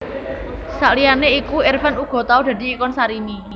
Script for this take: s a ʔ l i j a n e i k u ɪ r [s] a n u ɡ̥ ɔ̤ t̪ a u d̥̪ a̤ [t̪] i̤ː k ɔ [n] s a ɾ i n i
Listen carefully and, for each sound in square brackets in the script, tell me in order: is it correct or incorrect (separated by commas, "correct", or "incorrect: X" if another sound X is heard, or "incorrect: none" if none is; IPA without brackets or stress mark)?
incorrect: f, incorrect: d̪, correct